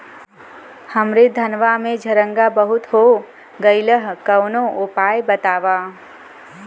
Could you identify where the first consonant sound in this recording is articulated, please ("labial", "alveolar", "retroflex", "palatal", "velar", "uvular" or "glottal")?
glottal